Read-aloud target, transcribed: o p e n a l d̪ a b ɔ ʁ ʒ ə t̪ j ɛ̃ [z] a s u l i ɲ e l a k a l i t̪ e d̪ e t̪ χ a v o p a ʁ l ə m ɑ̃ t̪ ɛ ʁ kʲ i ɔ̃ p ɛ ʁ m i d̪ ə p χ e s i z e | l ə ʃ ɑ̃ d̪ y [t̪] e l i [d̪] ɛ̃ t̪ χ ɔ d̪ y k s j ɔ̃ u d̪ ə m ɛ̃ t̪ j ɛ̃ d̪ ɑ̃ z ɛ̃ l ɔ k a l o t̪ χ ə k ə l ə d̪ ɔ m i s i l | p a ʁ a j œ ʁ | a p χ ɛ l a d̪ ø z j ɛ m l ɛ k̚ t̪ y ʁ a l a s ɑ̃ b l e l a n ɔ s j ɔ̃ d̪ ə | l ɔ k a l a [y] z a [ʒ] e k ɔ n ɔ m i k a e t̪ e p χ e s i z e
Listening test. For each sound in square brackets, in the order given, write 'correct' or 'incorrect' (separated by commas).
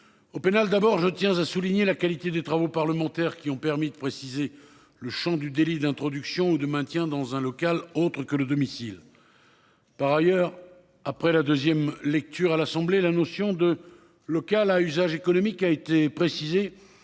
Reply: correct, incorrect, correct, correct, correct